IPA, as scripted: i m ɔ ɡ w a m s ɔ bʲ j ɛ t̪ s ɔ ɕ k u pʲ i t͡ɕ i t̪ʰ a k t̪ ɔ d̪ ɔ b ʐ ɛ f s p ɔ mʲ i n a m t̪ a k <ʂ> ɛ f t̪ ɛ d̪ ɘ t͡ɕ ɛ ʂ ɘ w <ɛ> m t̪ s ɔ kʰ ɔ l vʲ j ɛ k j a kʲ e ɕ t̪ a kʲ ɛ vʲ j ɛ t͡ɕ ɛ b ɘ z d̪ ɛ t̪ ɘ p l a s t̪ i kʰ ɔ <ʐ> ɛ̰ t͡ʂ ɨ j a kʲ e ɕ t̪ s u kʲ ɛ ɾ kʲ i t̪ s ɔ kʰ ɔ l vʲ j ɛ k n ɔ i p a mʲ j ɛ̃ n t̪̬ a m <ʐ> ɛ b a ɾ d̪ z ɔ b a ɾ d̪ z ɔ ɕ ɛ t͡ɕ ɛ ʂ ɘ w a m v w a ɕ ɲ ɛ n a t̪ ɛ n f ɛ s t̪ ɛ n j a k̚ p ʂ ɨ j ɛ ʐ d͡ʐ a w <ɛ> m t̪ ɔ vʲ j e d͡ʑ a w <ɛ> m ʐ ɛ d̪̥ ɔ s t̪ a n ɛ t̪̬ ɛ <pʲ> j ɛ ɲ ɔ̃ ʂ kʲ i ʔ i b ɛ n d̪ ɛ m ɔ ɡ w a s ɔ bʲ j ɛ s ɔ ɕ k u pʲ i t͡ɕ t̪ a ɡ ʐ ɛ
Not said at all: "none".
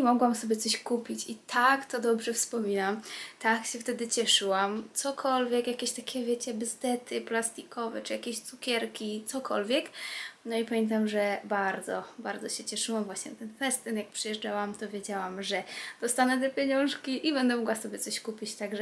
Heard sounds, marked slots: ɕ, a, v, ʐ, a, a, pʲ

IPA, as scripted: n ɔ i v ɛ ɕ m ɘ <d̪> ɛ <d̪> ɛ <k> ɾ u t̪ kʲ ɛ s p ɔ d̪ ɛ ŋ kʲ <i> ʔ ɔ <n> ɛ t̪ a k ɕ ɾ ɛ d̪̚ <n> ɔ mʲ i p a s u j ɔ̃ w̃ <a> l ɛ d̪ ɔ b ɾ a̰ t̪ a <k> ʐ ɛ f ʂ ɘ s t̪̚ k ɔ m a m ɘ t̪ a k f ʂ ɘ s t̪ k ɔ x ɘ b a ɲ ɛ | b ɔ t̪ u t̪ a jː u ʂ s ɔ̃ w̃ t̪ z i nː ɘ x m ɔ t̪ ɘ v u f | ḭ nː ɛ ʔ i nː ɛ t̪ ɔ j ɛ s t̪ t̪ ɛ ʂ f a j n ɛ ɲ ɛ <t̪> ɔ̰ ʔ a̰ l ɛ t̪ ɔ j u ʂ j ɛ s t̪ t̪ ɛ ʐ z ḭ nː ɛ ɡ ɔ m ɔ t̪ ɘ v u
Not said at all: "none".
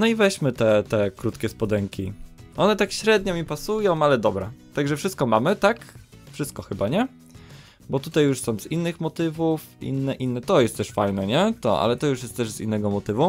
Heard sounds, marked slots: t̪, t̪, k, i, n, ɲ, a, ɡ, t̪

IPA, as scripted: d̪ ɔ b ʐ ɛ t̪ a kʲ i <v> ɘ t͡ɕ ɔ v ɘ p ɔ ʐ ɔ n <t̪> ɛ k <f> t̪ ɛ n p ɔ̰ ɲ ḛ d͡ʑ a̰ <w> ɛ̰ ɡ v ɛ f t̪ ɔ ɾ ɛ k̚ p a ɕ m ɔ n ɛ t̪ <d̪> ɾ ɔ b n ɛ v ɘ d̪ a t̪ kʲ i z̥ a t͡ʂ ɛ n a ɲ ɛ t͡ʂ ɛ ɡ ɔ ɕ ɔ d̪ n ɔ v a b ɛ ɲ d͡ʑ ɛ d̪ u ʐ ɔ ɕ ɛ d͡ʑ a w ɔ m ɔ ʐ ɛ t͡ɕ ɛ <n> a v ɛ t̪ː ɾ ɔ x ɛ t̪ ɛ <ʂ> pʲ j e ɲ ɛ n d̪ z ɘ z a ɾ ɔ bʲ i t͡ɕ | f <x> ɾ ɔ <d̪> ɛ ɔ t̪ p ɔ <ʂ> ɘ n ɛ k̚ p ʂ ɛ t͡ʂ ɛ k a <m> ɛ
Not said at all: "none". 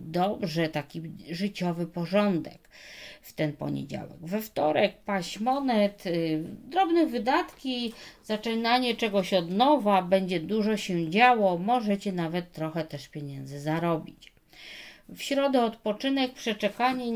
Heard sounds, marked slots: ʐ, d̪, f, w, d̪, n, ʂ, ɕ, d̪, t͡ʂ, ɲ

